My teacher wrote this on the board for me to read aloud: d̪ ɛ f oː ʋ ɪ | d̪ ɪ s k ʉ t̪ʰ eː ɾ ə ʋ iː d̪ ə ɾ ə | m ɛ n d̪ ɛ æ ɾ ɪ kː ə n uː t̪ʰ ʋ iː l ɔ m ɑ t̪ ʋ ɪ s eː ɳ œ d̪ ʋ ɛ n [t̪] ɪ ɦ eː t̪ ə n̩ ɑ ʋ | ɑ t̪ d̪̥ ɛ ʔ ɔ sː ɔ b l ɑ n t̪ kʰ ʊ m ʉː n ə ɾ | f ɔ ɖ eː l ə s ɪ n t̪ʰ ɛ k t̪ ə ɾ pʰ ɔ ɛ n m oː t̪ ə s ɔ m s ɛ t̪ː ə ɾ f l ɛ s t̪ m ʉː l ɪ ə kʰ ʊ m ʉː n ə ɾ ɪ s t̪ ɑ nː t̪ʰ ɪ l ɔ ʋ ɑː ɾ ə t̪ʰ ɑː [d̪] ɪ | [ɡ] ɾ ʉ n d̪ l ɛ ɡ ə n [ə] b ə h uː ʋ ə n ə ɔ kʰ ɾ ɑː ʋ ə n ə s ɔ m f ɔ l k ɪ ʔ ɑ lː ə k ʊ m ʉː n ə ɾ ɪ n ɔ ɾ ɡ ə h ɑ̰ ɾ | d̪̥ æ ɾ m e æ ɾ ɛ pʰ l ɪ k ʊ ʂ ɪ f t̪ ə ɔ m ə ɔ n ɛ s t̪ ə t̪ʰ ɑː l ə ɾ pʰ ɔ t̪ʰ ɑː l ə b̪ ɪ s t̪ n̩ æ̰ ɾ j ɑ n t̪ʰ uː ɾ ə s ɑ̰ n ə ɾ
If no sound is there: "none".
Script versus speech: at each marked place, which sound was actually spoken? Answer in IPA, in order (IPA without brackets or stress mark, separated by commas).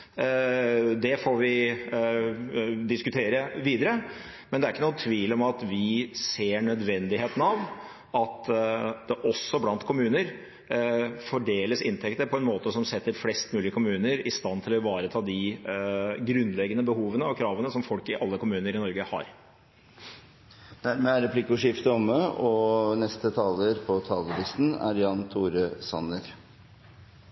d̪, d̪, ɡ, ə